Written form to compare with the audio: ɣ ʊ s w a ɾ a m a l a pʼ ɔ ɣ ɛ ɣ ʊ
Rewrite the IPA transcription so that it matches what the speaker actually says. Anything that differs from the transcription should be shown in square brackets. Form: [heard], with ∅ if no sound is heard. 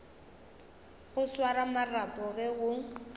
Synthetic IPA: ɣ ʊ s w a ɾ a m a [r] a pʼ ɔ ɣ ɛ ɣ ʊ